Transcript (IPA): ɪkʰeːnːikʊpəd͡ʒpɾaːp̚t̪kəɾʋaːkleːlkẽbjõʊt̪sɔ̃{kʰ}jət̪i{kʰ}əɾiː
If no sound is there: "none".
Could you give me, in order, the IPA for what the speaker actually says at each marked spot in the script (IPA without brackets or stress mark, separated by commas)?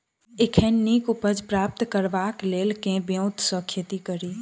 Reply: kʰ, k